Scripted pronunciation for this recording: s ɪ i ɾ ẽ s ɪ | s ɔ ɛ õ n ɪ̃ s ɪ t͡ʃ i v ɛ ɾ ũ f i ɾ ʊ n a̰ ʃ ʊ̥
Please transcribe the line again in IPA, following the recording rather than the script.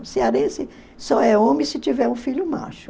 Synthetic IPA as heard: s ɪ a ɾ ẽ s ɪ | s ɔ ɛ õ m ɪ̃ s ɪ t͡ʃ i v ɛ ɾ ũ f i ʎ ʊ m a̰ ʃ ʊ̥